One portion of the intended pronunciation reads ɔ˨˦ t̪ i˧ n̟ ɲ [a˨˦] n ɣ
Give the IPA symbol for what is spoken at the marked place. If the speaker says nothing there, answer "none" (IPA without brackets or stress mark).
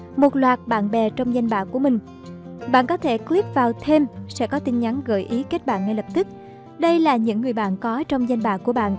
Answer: a˨˦